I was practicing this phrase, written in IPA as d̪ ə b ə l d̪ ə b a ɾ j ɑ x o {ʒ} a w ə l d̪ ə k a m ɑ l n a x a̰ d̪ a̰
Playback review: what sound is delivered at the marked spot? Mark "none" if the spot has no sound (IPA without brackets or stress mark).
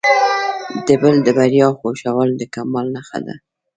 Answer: ʃ